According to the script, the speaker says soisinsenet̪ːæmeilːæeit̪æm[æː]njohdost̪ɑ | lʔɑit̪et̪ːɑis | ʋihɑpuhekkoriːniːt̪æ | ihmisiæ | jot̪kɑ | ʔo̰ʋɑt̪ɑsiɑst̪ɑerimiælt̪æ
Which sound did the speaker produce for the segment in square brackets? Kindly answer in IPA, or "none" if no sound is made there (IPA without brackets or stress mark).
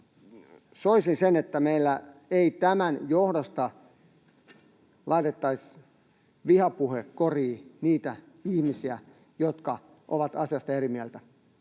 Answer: æ